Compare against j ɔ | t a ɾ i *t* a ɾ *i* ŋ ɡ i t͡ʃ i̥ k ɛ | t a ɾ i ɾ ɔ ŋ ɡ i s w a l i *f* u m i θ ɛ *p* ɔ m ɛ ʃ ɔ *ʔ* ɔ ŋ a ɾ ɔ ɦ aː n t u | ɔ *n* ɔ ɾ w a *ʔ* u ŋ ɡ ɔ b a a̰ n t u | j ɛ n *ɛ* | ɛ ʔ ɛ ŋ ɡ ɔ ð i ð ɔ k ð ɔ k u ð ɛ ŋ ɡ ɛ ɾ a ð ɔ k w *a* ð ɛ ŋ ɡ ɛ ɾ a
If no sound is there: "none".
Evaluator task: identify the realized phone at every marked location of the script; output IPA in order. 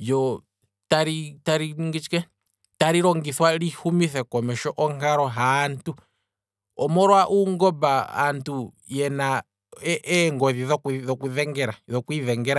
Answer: t, i, h, k, ʔ, m, ʔ, a, i

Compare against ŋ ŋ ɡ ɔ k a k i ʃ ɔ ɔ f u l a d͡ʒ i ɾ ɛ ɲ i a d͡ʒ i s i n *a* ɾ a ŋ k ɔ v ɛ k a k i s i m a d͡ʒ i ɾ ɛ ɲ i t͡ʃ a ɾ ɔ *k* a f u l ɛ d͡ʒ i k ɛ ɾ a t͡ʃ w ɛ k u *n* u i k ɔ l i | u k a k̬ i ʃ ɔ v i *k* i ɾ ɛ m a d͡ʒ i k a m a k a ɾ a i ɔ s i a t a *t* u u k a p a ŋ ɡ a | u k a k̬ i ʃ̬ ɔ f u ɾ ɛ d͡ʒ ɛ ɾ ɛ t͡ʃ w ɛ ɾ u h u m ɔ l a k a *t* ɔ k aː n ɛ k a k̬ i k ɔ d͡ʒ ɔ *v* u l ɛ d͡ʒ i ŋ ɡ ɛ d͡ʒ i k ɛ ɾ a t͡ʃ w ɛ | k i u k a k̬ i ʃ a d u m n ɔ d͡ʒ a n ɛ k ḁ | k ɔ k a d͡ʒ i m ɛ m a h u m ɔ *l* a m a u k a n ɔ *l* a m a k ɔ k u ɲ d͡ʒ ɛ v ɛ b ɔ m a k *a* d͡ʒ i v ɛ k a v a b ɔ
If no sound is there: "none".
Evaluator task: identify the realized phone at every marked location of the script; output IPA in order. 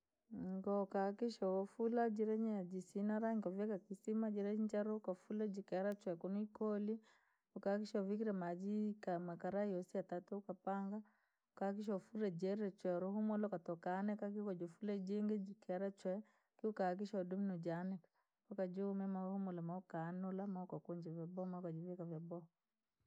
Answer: a, k, n, k, t, t, f, l, l, a

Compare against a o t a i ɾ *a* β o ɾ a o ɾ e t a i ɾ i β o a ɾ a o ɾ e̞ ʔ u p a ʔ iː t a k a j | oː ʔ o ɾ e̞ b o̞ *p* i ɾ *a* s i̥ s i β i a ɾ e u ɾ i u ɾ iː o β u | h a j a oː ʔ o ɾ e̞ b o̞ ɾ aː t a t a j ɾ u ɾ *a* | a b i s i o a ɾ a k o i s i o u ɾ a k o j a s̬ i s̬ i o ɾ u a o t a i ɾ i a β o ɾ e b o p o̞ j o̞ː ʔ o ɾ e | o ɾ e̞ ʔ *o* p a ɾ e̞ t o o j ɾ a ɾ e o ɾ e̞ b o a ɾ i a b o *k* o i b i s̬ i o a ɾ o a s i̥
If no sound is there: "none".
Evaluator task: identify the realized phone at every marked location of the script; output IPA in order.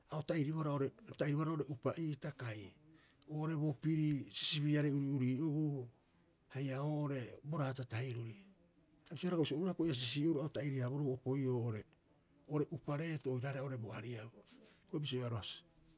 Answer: i, p, i, i, u, k

